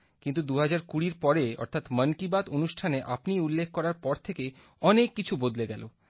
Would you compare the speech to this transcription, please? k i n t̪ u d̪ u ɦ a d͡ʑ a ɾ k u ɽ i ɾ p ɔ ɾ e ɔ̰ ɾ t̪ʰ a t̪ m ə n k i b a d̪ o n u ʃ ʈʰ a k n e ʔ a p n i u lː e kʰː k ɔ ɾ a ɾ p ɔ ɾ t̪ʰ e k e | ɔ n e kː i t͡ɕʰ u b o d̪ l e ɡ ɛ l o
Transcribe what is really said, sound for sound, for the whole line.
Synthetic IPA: k i n t̪ u d̪ u ɦ a d͡ʑ a ɾ k u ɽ i ɾ p ɔ ɾ e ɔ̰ ɾ t̪ʰ a t̪ m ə n k i b a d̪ o n u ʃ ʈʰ a n e ʔ a p n i u lː e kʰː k ɔ ɾ a ɾ p ɔ ɾ t̪ʰ e k e | ɔ n e kː i t͡ɕʰ u b o d̪ l e ɡ ɛ l o